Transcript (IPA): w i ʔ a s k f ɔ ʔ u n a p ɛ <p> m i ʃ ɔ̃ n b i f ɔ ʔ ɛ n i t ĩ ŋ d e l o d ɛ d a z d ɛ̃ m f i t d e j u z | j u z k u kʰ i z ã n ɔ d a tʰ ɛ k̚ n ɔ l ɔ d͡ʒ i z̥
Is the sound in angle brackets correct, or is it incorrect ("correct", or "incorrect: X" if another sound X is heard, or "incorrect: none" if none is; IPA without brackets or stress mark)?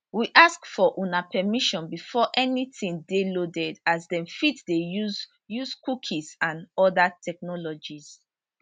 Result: incorrect: none